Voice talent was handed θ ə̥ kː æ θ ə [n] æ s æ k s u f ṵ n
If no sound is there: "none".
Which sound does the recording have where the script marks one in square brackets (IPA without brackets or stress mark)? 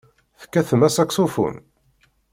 m